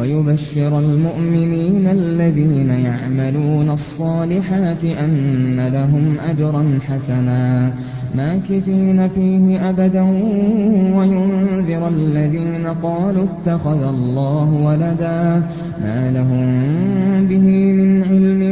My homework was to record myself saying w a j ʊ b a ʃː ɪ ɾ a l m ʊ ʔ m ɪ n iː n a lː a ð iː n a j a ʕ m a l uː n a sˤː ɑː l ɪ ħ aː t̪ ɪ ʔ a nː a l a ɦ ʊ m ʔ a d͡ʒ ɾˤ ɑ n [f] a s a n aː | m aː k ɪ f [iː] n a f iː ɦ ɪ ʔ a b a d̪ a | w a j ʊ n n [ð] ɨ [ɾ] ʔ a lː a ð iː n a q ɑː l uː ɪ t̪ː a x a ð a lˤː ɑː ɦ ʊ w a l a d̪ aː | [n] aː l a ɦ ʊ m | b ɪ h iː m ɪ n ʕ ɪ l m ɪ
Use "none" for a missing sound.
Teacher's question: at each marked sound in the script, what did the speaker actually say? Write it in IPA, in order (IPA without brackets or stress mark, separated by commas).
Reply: ħ, iː, ð, ɾ, m